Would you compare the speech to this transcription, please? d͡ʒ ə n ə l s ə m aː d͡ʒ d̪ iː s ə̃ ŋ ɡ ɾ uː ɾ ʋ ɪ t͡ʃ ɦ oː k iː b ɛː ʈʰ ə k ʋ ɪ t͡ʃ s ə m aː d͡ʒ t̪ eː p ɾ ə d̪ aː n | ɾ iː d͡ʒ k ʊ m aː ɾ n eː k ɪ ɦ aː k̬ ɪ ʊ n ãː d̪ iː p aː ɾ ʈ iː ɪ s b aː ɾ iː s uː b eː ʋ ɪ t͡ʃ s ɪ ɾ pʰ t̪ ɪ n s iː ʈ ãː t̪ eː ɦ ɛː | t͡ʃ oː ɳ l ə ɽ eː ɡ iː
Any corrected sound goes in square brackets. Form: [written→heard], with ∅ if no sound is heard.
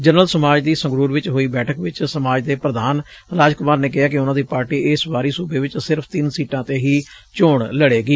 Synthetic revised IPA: d͡ʒ ə n ə l s ə m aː d͡ʒ d̪ iː s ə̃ ŋ ɡ ɾ uː ɾ ʋ ɪ t͡ʃ ɦ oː [k→∅] iː b ɛː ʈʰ ə k ʋ ɪ t͡ʃ s ə m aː d͡ʒ [t̪→d̪] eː p ɾ ə d̪ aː n | ɾ [iː→aː] d͡ʒ k ʊ m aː ɾ n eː k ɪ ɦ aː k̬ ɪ ʊ n ãː d̪ iː p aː ɾ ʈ iː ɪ s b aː ɾ iː s uː b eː ʋ ɪ t͡ʃ s ɪ ɾ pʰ t̪ ɪ n s iː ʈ ãː t̪ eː ɦ [ɛː→iː] | t͡ʃ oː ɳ l ə ɽ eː ɡ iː